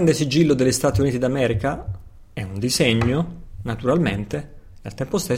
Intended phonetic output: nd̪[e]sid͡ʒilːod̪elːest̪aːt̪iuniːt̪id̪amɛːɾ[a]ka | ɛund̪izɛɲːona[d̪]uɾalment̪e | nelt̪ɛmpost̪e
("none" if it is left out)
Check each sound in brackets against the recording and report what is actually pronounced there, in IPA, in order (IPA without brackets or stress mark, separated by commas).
e, i, t̪